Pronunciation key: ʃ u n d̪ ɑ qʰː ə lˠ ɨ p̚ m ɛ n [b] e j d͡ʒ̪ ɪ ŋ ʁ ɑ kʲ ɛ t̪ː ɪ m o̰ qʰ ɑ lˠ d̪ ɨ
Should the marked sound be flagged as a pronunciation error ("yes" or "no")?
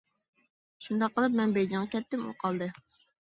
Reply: no